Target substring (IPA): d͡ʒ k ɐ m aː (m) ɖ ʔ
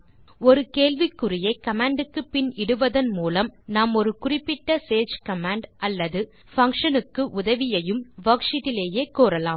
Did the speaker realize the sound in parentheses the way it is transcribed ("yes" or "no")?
no